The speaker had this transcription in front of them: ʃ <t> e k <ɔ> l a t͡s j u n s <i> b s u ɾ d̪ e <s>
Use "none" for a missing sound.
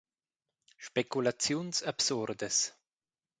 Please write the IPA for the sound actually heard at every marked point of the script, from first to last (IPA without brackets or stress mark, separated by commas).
p, u, a, s